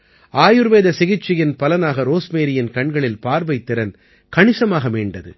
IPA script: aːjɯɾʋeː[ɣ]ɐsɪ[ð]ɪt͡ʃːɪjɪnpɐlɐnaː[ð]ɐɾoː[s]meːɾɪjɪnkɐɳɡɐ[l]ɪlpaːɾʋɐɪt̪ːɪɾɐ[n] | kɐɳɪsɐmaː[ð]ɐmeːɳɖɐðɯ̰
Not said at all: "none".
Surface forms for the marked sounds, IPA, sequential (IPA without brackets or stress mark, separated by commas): ð, ɣ, ɣ, s, ɭ, n, ɣ